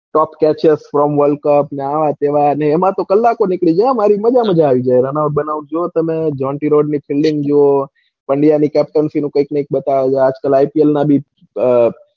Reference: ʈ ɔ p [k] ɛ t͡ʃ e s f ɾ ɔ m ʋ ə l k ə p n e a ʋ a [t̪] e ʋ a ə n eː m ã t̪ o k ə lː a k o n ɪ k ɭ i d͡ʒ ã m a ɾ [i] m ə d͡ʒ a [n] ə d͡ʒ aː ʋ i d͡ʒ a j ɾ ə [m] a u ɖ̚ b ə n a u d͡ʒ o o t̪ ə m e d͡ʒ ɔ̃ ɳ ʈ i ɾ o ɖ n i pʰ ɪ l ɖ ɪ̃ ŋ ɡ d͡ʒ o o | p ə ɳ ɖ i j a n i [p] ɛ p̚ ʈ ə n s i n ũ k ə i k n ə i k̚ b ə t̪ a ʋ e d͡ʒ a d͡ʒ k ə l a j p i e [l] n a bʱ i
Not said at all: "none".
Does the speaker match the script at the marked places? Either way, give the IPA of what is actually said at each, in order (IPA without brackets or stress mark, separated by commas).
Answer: k, t̪, i, m, n, k, l